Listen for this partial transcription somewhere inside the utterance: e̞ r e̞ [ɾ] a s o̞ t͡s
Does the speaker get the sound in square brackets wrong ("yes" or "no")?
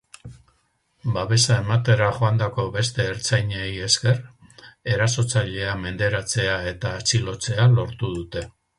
no